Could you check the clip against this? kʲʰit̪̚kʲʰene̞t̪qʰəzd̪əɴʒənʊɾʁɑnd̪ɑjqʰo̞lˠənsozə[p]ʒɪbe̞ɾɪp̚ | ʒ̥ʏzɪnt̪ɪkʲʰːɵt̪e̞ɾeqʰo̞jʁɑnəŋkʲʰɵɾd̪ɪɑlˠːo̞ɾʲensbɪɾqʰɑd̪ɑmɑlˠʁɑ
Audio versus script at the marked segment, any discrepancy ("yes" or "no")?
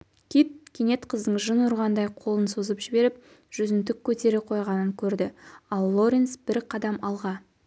no